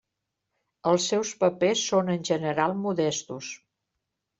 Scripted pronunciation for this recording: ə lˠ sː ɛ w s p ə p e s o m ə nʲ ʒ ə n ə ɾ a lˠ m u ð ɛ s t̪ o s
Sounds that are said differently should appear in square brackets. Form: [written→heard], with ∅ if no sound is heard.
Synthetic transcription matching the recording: ə lˠ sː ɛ w s p ə p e [s→sː] o [m→n] ə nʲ ʒ ə n ə ɾ a lˠ m u ð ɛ s t̪ [o→u] s